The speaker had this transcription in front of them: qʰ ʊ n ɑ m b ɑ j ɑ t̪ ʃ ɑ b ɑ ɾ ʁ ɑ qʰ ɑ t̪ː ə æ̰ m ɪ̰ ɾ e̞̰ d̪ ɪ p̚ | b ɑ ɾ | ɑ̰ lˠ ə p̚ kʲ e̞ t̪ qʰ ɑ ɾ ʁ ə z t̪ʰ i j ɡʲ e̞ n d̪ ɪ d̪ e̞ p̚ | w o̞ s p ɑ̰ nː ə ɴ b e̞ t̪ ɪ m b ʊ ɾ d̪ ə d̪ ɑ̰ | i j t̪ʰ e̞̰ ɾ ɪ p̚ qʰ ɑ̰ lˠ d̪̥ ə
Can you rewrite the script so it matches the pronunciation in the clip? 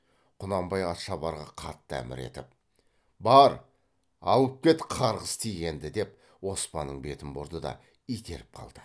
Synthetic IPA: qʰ ʊ n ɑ m b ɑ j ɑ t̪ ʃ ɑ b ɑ ɾ ʁ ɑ qʰ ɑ t̪ː ə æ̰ m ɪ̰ ɾ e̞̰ t̪ ɪ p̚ | b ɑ ɾ | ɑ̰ lˠ ə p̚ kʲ e̞ t̪ qʰ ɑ ɾ ʁ ə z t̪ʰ i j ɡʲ e̞ n d̪ ɪ d̪ e̞ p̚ | w o̞ s p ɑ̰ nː ə ɴ b e̞ t̪ ɪ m b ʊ ɾ d̪ ə d̪ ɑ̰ | i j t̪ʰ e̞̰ ɾ ɪ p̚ qʰ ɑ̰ lˠ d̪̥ ə